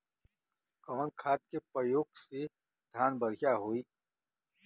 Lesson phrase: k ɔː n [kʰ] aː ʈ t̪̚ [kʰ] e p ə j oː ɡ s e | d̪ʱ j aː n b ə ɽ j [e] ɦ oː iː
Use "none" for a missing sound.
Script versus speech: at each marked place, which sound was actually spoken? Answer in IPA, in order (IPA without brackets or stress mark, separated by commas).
kʰ, k, a